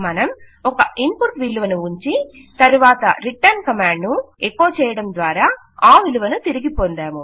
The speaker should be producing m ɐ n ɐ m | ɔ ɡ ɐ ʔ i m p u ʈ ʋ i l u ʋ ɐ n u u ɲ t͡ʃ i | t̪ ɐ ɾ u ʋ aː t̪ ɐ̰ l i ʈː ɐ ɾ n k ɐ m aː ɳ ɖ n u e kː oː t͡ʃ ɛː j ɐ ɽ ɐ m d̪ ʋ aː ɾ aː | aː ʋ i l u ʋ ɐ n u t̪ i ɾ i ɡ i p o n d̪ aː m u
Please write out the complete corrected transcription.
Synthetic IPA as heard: m ɐ n ɐ m | ɔ k ɐ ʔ i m p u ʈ ʋ i l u ʋ ɐ n u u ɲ t͡ʃ i | t̪ ɐ ɾ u ʋ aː t̪ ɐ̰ ɾ i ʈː ɐ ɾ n k ɐ m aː ɳ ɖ n u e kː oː t͡ʃ ɛː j ɐ ɽ ɐ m d̪ ʋ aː ɾ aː | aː ʋ i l u ʋ ɐ n u t̪ i ɾ i ɡ i p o n d̪ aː m u

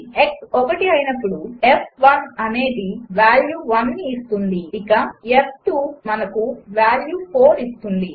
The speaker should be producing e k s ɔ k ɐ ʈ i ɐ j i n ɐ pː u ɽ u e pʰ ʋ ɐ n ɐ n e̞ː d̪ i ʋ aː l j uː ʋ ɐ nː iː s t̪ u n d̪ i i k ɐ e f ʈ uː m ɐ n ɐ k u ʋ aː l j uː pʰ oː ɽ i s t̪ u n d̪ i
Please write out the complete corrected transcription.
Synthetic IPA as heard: e k s ɔ k ɐ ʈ i ɐ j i n ɐ pː u ɽ u e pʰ ʋ ɐ n ɐ n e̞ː d̪ i ʋ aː l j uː ʋ ɐ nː iː s t̪ u n d̪ i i k ɐ e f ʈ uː m ɐ n ɐ k u ʋ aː l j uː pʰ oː ɾ i s t̪ u n d̪ i

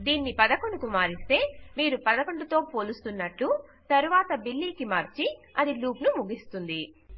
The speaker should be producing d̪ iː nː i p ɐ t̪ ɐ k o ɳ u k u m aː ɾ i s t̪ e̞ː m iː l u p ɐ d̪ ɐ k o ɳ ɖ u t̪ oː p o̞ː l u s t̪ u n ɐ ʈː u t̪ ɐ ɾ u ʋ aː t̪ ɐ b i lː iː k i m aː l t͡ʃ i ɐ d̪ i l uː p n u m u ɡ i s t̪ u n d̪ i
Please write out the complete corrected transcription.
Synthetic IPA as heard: d̪ iː nː i p ɐ d̪ ɐ k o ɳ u k u m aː ɾ i s t̪ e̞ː m iː ɾ u p ɐ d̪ ɐ k o ɳ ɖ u t̪ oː p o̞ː l u s t̪ u nː ɐ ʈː u t̪ ɐ ɾ u ʋ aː t̪ ɐ b i lː iː k i m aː ɾ t͡ʃ i ɐ d̪ i l uː p n u m u ɡ i s t̪ u n d̪ i

